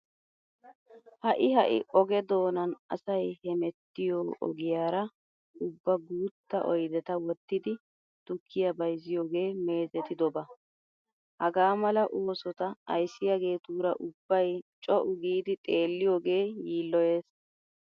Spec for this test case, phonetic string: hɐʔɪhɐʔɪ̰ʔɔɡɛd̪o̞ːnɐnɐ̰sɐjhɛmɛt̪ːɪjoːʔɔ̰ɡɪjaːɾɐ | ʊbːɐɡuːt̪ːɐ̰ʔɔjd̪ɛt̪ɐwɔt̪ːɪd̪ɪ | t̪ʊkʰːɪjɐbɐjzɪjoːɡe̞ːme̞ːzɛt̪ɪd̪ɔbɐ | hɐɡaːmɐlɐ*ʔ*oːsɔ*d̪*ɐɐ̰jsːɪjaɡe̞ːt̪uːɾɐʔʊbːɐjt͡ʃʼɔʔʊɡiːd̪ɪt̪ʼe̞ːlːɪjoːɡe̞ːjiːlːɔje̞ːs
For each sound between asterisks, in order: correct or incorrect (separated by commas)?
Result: correct, incorrect